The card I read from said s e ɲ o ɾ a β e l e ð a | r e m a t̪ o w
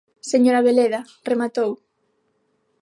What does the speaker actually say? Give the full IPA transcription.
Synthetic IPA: s e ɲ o ɾ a β e l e ð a | r e m a t̪ o w